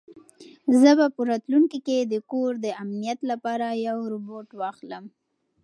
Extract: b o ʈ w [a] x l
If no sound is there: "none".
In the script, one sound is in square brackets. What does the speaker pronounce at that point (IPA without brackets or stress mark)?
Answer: ɑ